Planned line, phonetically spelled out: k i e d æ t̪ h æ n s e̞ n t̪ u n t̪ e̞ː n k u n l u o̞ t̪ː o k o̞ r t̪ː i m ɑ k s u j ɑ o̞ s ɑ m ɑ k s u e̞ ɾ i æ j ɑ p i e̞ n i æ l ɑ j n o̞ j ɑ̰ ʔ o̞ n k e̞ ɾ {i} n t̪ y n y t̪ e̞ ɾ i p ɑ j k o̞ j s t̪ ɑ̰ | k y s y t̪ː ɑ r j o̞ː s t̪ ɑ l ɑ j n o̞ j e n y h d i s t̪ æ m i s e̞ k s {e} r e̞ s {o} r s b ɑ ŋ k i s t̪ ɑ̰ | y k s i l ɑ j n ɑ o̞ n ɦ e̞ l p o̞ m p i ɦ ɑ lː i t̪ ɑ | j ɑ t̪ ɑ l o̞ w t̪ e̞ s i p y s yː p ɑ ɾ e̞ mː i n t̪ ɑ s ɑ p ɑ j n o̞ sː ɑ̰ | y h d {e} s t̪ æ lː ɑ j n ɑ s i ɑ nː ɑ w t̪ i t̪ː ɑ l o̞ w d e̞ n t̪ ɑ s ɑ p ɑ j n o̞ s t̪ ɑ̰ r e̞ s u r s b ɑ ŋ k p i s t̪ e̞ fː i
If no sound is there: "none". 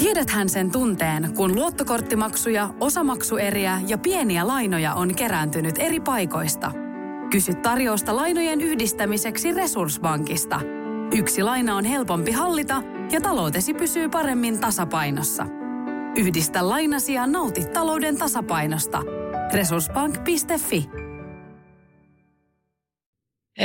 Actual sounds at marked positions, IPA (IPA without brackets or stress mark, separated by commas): æ, i, u, i